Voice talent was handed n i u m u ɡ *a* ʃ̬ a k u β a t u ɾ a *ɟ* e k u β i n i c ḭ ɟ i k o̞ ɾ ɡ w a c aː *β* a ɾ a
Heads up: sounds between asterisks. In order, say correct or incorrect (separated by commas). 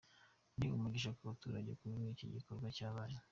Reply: incorrect, correct, correct